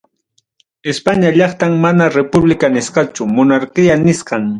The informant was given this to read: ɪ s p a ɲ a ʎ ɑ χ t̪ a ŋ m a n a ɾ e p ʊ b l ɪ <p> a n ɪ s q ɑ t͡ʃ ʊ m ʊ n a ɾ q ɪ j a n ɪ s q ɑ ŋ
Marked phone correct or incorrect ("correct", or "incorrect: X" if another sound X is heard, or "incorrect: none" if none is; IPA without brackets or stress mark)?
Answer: incorrect: k